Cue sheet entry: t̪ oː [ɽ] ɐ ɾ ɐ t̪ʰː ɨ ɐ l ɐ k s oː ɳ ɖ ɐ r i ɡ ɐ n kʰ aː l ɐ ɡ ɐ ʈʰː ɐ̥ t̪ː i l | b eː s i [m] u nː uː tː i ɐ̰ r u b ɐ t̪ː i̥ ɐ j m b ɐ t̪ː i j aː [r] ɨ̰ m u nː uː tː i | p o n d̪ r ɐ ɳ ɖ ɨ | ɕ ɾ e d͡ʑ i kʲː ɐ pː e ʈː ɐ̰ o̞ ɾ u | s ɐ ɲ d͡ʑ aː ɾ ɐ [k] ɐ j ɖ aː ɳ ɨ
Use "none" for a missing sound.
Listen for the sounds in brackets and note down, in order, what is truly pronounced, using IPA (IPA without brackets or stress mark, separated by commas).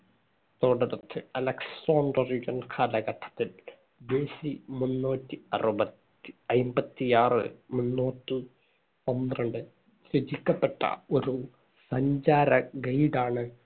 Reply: ɽ, m, r, ɡ